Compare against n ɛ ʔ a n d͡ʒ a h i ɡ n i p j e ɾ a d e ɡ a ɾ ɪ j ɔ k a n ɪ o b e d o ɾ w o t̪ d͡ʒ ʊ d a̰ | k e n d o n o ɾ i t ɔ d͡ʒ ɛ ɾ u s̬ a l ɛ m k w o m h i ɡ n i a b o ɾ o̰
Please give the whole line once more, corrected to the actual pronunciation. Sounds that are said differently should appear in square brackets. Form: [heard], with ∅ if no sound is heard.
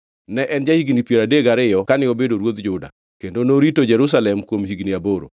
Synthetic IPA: n ɛ ʔ [ɛ] n d͡ʒ a h i ɡ n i p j e ɾ a d e ɡ a ɾ ɪ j ɔ k a n ɪ o b e d o ɾ w o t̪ d͡ʒ ʊ d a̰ | k e n d o n o ɾ i t [o] d͡ʒ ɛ ɾ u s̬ a l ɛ m k w o m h i ɡ n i a b o ɾ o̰